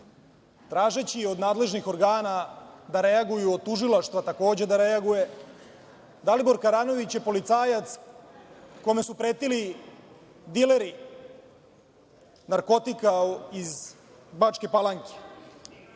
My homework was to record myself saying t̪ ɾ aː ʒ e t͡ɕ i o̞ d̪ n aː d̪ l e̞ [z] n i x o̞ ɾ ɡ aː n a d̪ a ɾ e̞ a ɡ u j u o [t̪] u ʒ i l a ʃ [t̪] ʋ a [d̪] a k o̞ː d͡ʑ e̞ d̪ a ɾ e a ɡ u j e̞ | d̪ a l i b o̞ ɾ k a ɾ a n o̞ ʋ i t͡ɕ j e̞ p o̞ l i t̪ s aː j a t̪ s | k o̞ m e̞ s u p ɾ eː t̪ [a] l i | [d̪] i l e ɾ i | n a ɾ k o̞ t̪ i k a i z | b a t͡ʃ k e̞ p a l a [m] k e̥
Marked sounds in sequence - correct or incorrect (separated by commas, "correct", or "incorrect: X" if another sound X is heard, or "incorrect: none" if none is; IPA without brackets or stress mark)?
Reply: incorrect: ʒ, correct, correct, incorrect: t̪, incorrect: i, correct, incorrect: ŋ